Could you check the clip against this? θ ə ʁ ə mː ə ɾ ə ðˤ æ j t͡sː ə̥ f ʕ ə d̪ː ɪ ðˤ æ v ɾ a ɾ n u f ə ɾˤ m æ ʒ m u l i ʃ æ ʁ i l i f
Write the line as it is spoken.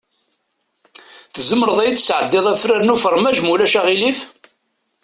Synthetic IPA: θ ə z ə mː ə ɾ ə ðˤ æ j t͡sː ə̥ s ʕ ə d̪ː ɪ ðˤ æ f ɾ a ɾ n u f ə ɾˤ m æ ʒ m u l æ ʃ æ ʁ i l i f

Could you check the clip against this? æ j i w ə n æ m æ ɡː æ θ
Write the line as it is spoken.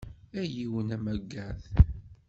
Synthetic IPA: æ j i w ə n æ m æ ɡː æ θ

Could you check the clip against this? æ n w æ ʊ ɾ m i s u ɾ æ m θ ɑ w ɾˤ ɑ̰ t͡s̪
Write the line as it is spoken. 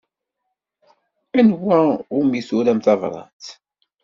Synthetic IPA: æ n w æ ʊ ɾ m i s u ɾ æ m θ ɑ v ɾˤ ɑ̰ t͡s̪

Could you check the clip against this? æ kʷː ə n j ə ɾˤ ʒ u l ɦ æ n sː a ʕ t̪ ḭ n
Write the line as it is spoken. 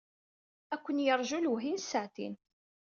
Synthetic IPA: æ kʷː ə n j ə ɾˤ ʒ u l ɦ i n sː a ʕ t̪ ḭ n

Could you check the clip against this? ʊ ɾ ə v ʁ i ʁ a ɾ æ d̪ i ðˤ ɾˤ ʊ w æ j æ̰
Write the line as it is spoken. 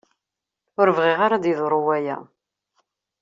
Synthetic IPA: ʊ ɾ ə v ʁ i ʁ a ɾ a d̪ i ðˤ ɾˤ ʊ w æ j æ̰

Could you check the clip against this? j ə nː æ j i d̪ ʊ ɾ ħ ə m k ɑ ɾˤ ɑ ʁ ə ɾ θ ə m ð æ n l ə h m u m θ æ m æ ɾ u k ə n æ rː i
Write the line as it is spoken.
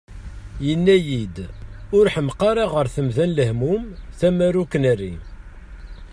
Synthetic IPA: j ə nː æ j i d̪ ʊ ɾ ħ ə m q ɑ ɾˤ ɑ ʁ ə ɾ θ ə m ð æ n l ə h m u m θ æ m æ ɾ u k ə n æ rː i

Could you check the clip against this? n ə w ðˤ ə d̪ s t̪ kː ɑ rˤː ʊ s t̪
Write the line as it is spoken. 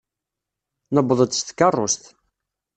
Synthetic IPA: n ə b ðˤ ə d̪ s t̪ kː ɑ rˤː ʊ s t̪

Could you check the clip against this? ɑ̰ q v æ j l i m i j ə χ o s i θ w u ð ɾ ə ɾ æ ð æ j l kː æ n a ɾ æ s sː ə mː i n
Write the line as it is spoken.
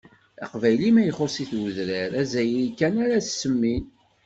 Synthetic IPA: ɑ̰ q v æ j l i m æ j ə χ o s i θ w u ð ɾ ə ɾ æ z æ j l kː æ n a ɾ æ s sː ə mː i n

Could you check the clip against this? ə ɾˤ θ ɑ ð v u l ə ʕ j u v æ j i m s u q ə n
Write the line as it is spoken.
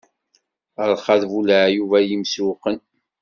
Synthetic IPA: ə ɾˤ χ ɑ ð v u l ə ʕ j u v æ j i m s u q ə n

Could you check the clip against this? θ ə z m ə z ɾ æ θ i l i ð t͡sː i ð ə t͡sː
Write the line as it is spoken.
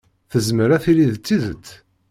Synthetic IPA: θ ə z m ə ɾ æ θ i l i ð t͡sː i ð ə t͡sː

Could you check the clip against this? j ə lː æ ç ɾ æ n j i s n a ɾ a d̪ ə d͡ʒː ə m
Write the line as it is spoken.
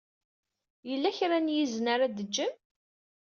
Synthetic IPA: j ə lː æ ç ɾ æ n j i z n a ɾ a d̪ ə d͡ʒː ə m

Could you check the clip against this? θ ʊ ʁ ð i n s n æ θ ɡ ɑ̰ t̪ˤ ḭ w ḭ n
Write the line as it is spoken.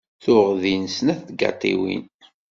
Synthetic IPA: θ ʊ ʁ ð i n s n æ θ ɡ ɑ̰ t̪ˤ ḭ w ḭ n

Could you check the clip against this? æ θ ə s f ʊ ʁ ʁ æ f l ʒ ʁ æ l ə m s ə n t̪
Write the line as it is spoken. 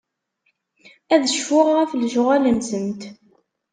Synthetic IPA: æ ð ə ʃ f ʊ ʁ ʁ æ f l ʒ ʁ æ l ə m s ə n t̪

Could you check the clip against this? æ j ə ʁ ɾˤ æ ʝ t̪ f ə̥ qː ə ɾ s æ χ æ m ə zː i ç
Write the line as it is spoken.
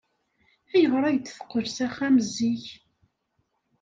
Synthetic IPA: æ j ə ʁ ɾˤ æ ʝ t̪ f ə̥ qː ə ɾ s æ χ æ m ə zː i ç

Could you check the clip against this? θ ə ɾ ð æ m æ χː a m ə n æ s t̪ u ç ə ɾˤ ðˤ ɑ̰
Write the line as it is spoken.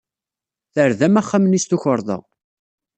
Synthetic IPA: θ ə ɾ ð æ m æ χː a m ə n i s t̪ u ç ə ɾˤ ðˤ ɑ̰

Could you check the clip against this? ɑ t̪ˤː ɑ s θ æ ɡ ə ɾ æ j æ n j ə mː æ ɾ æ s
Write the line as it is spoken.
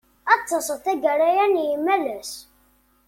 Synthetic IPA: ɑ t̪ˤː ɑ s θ æ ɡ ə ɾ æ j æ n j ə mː æ l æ s

